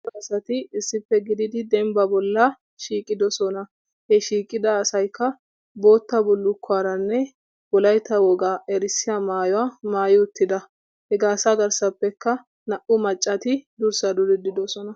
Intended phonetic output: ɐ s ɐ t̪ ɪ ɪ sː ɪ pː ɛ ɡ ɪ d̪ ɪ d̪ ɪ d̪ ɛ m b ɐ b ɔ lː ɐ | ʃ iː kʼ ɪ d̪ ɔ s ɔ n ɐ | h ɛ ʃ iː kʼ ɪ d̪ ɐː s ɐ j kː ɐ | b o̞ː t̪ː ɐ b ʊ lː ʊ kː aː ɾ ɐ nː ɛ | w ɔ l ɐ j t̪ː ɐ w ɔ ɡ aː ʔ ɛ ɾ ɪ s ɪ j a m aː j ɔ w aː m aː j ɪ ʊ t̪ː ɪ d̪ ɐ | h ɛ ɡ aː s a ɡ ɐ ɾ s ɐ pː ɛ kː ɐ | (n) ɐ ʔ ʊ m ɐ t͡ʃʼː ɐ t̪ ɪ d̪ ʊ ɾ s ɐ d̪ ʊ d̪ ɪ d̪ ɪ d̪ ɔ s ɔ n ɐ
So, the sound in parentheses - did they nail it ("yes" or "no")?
yes